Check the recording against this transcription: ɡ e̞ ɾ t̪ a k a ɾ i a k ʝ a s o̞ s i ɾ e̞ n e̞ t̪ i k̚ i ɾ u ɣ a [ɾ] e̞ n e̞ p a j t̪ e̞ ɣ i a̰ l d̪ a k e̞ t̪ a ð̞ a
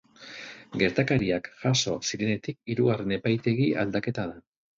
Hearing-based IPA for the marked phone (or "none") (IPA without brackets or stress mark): r